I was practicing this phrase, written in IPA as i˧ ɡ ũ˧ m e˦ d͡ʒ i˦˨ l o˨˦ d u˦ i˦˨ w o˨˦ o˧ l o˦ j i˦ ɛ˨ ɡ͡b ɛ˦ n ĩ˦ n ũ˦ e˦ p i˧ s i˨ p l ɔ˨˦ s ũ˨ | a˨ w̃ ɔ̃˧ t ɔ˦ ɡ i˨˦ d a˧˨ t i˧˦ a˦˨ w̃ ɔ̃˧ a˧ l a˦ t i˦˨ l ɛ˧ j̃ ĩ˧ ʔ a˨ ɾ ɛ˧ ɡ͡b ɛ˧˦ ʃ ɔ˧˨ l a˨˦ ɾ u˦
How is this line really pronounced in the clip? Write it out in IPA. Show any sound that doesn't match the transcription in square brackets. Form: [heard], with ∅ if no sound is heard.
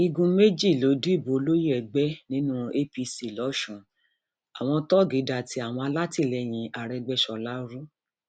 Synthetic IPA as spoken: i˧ ɡ ũ˧ m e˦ d͡ʒ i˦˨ l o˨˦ d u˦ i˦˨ [b] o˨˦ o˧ l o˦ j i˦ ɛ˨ ɡ͡b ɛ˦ n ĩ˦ n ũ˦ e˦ p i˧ s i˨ [∅] l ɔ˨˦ [ʃ] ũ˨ | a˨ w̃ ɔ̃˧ t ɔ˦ ɡ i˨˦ d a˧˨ t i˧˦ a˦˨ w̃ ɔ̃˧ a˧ l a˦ t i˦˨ l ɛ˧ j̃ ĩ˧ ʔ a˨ ɾ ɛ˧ ɡ͡b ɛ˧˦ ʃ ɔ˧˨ l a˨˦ ɾ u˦

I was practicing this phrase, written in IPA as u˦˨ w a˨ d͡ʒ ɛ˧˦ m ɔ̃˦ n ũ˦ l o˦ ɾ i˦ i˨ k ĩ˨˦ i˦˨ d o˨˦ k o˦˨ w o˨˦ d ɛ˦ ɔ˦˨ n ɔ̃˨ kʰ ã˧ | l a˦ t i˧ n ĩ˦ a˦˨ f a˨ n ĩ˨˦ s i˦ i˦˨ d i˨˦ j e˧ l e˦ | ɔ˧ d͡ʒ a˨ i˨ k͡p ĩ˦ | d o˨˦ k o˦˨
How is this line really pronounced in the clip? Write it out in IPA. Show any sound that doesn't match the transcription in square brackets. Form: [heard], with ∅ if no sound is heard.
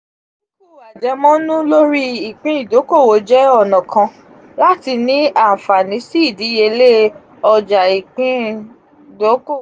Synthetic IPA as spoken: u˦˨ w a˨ d͡ʒ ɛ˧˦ m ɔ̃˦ n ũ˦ l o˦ ɾ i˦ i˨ [k͡p] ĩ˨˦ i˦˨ d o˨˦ k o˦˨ w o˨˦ [d͡ʒ] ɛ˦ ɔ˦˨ n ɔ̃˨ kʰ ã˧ | l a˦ t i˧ n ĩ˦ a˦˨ f a˨ n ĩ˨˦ s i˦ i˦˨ d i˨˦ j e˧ l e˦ | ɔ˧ d͡ʒ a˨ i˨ k͡p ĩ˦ | d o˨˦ k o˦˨

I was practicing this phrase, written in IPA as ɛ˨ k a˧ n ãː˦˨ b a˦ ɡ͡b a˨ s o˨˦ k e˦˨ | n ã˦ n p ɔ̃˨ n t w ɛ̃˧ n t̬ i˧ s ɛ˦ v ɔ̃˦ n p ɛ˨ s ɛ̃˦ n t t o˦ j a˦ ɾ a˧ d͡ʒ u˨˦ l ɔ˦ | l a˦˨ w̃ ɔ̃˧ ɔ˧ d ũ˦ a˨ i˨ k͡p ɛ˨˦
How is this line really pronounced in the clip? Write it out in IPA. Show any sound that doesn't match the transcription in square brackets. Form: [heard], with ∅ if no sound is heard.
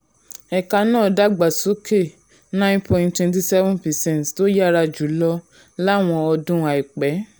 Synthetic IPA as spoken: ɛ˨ k a˧ n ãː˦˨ [d] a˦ ɡ͡b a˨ s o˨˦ k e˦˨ | n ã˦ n p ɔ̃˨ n t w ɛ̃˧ n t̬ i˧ s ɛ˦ v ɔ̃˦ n p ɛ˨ s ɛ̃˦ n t t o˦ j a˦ ɾ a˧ d͡ʒ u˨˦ l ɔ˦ | l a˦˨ w̃ ɔ̃˧ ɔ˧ d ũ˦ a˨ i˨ k͡p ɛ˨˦

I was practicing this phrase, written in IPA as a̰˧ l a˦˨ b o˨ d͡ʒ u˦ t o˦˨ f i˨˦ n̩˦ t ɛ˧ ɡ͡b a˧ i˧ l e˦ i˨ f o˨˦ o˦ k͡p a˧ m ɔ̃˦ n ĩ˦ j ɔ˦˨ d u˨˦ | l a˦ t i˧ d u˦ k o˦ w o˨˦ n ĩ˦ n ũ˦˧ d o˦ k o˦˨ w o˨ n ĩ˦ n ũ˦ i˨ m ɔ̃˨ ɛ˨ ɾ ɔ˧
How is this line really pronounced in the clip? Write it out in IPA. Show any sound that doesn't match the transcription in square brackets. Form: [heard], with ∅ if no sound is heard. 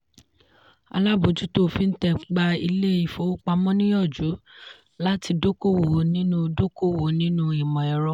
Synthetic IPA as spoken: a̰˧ l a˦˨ b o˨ d͡ʒ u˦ t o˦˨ f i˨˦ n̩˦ t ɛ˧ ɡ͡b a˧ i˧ l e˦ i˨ f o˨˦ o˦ k͡p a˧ m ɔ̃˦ n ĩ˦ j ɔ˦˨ [d͡ʒ] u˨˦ | l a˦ t i˧ d [o˦] k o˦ w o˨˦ n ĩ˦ n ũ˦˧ d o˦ k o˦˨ w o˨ n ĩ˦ n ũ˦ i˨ m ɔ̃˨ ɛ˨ ɾ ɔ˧

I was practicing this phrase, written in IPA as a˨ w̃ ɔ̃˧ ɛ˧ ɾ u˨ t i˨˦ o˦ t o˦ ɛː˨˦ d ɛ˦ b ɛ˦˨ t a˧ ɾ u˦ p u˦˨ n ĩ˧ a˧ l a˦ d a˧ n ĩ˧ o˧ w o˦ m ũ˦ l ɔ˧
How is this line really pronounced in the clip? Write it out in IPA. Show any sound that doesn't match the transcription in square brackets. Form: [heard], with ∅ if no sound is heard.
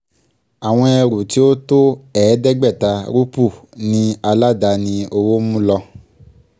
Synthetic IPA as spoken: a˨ w̃ ɔ̃˧ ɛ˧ ɾ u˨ t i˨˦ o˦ t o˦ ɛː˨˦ d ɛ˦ [ɡ͡b] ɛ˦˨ t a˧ ɾ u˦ p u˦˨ n ĩ˧ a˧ l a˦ d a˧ n ĩ˧ o˧ w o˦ m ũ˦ l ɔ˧

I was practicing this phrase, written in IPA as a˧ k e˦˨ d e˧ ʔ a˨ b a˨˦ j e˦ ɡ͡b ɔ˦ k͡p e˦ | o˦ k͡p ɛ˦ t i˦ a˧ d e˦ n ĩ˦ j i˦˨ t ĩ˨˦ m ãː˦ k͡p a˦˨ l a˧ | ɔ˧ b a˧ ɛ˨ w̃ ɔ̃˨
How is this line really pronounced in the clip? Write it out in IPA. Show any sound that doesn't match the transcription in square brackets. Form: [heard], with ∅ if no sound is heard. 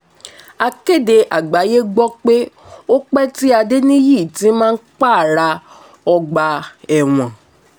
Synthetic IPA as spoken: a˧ k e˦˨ d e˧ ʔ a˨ [ɡ͡b] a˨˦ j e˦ ɡ͡b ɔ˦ k͡p e˦ | o˦ k͡p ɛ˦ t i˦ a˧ d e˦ n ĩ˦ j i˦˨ t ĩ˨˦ m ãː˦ k͡p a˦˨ [ɾ] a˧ | ɔ˧ [ɡ͡b] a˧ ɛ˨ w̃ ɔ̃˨

